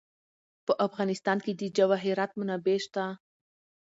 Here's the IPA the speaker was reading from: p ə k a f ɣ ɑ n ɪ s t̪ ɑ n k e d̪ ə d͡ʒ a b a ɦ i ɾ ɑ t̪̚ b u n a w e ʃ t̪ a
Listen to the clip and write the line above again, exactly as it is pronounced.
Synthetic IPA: p ə ʔ a f ɣ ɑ n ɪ s t̪ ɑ n k e d̪ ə d͡ʒ a w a ɦ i ɾ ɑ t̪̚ m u n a b e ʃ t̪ a